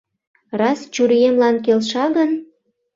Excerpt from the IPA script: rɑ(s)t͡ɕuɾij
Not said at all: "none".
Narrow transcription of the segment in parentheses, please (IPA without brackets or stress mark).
s